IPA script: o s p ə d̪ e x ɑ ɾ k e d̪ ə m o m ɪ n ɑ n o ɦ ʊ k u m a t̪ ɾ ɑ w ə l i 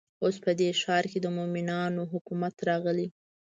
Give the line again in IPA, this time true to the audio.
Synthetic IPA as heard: o s p ə d̪ e ʃ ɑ ɾ k e d̪ ə m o m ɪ n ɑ n o ɦ ʊ k u m a t̪ ɾ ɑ ɣ ə l i